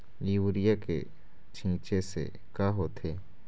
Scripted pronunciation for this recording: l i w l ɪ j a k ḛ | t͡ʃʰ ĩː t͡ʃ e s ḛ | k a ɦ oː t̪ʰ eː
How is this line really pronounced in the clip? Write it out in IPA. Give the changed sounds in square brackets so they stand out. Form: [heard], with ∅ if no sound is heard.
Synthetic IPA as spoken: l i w [ɾ] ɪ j a k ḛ | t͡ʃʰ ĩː t͡ʃ e s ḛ | k a ɦ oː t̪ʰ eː